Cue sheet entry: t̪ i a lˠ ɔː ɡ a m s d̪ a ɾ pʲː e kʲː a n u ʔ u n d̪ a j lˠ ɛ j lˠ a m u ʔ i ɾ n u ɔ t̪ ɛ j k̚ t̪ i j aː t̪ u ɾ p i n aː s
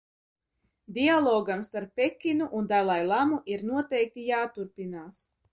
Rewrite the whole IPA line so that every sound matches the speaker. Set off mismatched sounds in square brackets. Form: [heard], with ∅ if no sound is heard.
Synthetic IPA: [d̪] i a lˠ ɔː ɡ a m s [t̪] a ɾ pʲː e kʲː [i] n u ʔ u n d̪ a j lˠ [a] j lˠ a m u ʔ i ɾ n u ɔ t̪ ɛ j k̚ t̪ i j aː t̪ u ɾ p i n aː s